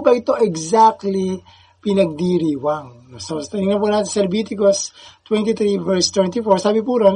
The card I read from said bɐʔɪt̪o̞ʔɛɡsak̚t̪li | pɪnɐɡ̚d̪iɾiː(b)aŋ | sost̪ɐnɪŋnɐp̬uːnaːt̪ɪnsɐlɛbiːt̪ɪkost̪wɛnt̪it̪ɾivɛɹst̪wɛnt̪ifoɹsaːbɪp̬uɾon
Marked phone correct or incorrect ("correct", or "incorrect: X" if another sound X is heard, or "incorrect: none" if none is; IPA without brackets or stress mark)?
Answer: incorrect: w